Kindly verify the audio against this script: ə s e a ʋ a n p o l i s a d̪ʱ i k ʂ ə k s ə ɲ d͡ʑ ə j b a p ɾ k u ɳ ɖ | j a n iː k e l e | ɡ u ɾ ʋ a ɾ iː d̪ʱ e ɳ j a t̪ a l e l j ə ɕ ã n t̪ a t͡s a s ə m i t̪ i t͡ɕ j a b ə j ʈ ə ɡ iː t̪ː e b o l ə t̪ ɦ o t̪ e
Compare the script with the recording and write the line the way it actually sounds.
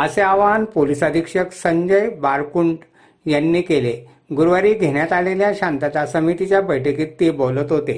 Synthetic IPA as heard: ə s e a ʋ a n p o l i s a d̪ʱ i k ʂ ə k s ə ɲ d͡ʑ ə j b a ɾ k u ɳ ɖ | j a nː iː k e l e | ɡ u ɾ ʋ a ɾ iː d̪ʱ e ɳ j a t̪ a l e l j a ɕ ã n t̪ a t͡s a s ə m i t̪ i t͡ɕ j a b ə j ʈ ə k iː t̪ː e b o l ə t̪ ɦ o t̪ e